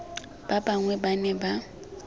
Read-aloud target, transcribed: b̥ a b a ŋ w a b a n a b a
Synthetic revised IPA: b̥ a b a ŋ w ɛ b a n ɛ b a